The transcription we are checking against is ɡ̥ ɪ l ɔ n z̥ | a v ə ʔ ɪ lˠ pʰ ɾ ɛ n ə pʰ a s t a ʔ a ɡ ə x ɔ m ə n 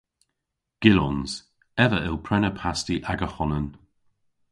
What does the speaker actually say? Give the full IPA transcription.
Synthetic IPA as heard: ɡ̥ ɪ l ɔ n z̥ | ɛ v ə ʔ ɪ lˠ pʰ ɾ ɛ n ə pʰ a s t i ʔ a ɡ ə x ɔ n ə n